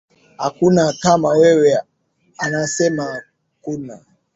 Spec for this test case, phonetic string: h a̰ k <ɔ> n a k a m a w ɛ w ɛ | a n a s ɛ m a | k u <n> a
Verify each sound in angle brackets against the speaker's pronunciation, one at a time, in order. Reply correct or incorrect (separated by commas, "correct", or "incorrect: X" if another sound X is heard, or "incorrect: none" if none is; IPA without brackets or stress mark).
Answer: incorrect: u, correct